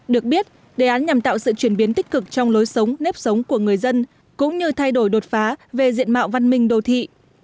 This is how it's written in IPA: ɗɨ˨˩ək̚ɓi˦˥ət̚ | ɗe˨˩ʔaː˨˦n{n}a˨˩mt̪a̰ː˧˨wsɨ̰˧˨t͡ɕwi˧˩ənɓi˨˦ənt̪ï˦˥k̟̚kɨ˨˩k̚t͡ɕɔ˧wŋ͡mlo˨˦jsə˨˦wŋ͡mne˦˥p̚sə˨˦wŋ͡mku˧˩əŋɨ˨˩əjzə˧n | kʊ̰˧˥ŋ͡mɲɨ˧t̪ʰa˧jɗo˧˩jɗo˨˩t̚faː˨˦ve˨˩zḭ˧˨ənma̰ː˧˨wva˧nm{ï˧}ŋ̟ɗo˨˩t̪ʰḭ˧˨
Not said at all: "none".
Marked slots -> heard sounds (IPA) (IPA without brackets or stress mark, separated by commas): ɲ, ï˧